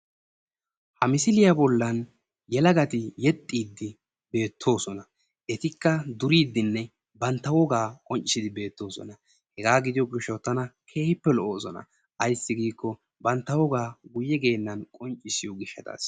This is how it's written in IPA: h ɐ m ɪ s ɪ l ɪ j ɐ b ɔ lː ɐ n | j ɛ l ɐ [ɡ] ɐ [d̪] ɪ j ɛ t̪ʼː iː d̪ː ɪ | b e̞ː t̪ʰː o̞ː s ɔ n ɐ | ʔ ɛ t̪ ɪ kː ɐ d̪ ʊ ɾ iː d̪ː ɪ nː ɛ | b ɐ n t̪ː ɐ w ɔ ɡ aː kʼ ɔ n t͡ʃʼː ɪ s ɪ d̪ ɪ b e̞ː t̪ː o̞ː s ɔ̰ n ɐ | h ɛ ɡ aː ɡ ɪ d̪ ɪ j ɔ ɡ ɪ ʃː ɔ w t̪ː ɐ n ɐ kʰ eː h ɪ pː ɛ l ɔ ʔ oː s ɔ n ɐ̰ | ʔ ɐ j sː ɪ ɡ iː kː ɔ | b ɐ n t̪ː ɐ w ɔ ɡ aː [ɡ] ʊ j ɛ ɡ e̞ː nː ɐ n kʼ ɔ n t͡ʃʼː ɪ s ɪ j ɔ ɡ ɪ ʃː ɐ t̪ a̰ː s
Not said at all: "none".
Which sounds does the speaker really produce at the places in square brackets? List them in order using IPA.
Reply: ɡ, t̪, ɡ

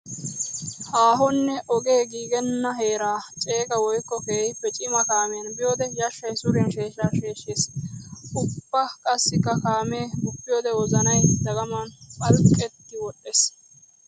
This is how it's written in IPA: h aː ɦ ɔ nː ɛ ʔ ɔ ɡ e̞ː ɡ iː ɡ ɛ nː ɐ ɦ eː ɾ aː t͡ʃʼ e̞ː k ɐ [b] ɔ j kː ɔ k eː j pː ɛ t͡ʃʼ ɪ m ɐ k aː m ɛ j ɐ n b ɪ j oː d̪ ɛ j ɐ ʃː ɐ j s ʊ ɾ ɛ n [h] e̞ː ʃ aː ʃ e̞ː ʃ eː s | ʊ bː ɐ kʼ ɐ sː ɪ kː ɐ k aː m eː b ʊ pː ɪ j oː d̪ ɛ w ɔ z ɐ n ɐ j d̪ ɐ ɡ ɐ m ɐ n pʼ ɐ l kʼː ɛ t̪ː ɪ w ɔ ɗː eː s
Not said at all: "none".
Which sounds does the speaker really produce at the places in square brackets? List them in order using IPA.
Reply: w, ʃ

